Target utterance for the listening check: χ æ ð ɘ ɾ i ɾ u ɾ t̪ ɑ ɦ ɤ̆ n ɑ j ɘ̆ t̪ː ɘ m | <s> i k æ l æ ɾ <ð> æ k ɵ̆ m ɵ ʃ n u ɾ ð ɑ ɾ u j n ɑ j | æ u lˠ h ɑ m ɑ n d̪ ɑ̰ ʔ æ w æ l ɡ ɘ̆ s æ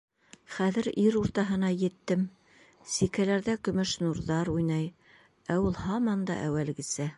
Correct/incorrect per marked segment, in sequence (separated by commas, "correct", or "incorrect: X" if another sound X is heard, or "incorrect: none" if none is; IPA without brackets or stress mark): correct, correct